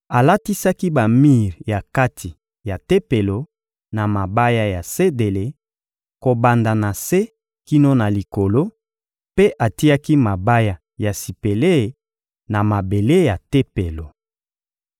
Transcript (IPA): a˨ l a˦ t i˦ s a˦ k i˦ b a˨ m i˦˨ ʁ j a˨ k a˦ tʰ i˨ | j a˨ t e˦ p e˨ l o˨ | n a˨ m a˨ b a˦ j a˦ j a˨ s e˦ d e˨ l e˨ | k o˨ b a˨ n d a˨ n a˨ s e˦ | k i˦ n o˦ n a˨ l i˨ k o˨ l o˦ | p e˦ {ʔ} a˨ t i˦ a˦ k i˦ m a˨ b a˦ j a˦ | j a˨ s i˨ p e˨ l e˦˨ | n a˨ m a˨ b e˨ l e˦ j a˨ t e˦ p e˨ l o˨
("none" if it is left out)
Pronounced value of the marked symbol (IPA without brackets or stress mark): ʔ